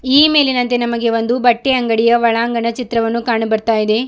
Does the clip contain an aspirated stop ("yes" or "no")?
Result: no